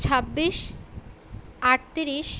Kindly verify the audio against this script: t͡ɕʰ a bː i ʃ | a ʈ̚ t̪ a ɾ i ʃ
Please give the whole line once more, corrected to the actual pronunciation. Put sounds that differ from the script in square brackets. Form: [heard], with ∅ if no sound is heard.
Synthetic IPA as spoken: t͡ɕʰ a bː i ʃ | a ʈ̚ t̪ [i] ɾ i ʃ